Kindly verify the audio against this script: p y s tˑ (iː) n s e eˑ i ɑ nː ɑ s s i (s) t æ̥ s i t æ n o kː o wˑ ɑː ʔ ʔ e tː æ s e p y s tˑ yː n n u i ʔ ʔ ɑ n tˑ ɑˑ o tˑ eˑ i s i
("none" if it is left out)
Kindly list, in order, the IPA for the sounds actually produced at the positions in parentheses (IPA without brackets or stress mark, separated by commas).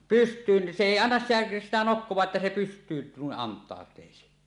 yː, none